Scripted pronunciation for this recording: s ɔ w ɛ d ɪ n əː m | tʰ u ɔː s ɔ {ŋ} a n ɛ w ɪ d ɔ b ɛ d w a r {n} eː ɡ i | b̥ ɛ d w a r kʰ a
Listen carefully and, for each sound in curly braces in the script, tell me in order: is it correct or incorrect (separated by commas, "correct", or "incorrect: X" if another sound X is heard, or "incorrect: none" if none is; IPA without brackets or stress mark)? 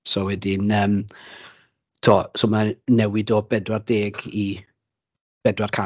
incorrect: m, incorrect: d